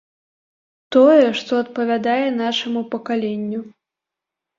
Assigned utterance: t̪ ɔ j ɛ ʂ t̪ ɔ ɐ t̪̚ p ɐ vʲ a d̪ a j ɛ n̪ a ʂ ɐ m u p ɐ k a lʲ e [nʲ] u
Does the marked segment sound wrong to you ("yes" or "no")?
yes